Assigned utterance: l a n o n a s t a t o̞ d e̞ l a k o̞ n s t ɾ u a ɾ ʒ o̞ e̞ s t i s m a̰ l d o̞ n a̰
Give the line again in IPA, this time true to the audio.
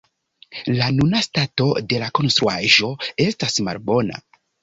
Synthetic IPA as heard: l a n u n a s t a t o̞ d e̞ l a k o̞ n s t ɾ u a ʒ o̞ e̞ s t a s m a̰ l b o̞ n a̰